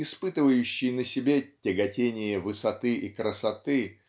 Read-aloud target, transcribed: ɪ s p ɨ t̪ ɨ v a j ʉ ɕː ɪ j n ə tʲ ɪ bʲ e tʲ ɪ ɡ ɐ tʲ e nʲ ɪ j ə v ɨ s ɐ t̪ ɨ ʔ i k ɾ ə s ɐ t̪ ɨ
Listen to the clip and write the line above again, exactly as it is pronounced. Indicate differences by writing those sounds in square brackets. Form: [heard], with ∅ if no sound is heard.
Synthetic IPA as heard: ɪ s p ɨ t̪ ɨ v [ə] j ʉ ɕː ɪ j n ə [sʲ] ɪ bʲ e tʲ ɪ ɡ ɐ tʲ e nʲ ɪ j ə v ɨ s ɐ t̪ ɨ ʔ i k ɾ ə s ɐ t̪ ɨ